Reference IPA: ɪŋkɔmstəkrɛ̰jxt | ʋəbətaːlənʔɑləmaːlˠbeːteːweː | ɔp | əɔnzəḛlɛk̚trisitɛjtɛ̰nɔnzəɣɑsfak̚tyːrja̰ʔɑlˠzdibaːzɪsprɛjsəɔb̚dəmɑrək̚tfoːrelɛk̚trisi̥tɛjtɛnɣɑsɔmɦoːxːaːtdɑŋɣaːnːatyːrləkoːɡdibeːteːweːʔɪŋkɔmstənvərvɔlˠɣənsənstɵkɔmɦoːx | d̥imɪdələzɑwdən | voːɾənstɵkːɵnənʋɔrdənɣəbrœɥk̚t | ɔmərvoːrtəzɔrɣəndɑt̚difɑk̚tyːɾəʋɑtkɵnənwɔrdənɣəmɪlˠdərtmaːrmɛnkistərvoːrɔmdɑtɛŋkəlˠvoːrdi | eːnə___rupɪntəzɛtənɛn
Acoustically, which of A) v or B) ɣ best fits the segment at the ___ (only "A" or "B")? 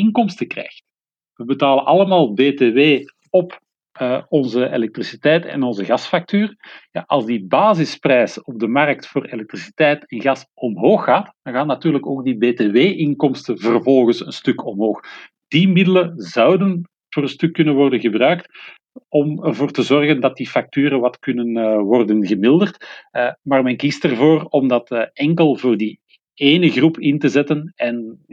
B